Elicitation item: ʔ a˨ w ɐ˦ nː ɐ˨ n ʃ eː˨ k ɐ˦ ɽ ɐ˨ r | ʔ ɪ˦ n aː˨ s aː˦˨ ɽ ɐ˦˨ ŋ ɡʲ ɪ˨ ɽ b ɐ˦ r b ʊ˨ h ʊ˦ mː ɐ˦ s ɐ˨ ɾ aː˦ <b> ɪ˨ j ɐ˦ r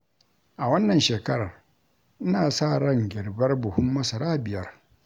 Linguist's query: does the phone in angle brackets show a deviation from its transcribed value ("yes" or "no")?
no